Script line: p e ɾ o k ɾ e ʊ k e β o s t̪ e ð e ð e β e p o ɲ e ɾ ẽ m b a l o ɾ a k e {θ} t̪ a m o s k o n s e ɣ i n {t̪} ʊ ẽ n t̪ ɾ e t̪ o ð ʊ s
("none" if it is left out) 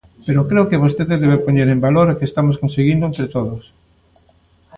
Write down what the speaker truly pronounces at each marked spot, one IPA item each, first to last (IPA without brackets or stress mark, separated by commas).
s, d̪